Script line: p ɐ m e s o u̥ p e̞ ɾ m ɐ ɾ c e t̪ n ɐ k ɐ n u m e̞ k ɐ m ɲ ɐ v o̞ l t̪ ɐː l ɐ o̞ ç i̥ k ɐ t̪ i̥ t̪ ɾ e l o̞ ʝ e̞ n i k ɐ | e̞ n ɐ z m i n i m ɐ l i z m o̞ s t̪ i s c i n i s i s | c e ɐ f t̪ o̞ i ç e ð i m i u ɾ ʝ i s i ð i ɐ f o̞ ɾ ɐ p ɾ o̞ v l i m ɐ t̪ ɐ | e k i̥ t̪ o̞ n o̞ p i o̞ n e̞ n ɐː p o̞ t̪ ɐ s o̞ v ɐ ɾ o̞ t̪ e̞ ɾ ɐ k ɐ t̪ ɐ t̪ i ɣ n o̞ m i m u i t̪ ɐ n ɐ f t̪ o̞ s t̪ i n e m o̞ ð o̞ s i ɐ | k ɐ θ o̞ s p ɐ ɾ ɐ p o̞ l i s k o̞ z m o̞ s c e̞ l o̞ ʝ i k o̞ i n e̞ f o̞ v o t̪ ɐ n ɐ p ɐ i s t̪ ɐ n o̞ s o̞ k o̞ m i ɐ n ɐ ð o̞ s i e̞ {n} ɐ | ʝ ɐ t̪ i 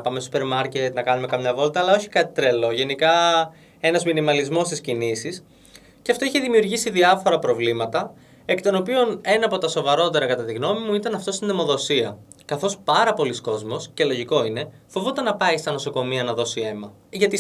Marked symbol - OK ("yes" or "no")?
no